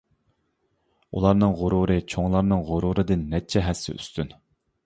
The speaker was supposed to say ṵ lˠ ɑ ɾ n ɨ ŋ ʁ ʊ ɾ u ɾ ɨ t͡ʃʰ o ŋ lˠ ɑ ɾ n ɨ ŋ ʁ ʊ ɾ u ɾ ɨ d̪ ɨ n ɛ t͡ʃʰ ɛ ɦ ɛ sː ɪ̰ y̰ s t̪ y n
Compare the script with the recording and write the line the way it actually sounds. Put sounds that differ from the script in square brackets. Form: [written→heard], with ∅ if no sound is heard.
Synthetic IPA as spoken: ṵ lˠ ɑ ɾ n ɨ ŋ ʁ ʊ ɾ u ɾ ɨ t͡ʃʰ o ŋ lˠ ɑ ɾ n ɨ ŋ ʁ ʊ ɾ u ɾ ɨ d̪ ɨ [n→nː] ɛ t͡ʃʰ ɛ ɦ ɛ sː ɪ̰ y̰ s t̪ y n